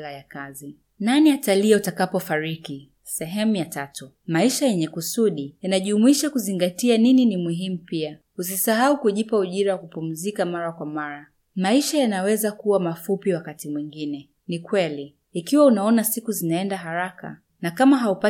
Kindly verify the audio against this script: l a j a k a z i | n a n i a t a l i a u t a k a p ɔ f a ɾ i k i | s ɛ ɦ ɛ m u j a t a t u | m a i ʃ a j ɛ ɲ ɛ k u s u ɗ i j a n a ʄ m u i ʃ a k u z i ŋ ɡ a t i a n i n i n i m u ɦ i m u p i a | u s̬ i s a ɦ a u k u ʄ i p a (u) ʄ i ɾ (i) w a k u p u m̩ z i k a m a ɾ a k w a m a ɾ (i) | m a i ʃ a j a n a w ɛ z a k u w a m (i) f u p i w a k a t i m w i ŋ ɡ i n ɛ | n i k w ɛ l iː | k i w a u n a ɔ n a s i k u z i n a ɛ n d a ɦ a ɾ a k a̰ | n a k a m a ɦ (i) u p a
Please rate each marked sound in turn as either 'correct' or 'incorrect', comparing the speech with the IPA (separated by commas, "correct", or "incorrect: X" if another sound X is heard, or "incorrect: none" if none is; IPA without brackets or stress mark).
correct, incorrect: a, incorrect: a, incorrect: a, incorrect: a